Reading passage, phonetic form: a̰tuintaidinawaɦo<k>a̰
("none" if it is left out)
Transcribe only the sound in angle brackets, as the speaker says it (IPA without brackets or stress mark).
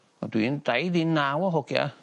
k